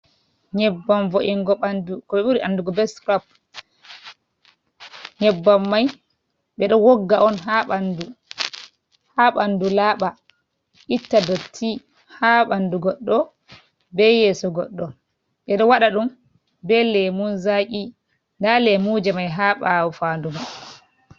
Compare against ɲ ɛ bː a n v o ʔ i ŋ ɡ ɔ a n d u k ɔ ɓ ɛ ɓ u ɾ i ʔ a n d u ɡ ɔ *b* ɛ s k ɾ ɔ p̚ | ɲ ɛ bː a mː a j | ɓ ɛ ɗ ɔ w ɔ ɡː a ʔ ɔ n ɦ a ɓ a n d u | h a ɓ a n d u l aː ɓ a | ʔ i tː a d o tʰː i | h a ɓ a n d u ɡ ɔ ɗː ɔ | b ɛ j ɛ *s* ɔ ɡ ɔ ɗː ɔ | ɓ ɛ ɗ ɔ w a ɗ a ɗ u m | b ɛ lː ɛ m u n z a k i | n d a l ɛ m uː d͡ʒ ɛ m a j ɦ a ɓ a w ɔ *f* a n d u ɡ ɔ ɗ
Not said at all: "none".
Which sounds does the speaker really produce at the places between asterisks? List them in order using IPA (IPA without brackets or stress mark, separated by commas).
b, s, f